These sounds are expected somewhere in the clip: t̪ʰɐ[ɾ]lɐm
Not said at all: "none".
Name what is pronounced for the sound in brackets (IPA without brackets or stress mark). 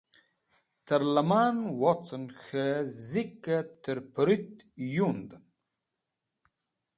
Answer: ɾ